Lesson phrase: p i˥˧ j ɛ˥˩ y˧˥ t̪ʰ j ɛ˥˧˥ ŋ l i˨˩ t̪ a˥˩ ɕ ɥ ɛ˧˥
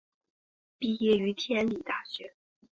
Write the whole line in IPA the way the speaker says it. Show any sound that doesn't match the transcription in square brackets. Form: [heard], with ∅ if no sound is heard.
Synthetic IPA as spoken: p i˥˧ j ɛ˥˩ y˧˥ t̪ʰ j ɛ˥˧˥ [n] l i˨˩ t̪ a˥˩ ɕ ɥ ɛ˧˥